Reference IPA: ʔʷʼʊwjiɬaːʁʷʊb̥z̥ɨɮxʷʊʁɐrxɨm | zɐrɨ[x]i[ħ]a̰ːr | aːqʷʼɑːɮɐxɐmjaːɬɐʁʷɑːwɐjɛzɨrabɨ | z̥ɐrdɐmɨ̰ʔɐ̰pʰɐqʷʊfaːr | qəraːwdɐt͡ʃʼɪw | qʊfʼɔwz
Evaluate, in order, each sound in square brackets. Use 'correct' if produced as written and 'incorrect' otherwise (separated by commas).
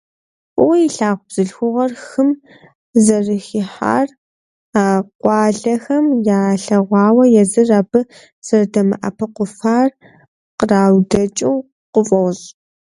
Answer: correct, correct